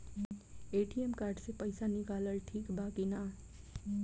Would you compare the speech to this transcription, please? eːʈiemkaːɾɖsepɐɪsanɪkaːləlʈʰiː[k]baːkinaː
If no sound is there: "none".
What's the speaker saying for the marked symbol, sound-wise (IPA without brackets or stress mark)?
k